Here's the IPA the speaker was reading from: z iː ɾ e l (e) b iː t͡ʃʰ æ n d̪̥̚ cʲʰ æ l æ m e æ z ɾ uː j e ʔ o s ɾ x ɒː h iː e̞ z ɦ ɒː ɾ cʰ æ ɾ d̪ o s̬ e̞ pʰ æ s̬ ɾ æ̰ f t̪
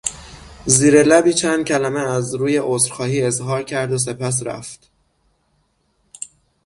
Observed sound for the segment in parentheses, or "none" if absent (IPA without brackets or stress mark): æ